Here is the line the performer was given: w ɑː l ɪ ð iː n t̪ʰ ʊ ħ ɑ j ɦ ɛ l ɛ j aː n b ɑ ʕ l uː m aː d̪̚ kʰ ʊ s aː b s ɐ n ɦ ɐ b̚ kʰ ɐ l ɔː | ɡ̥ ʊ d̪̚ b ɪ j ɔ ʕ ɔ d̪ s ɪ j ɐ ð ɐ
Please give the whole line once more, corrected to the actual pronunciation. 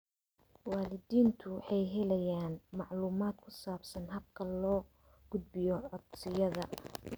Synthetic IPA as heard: w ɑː l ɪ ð iː n t̪ʰ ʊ ħ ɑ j ɦ ɛ l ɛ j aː n m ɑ ʕ l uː m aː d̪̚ kʰ ʊ s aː b s ɐ n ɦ ɐ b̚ kʰ ɐ l ɔː | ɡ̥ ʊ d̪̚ b ɪ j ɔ ʕ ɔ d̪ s ɪ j ɐ ð ɐ